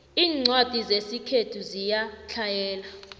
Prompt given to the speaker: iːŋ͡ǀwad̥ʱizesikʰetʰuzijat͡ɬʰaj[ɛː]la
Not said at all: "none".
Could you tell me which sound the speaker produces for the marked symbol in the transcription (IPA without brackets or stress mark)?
ɛː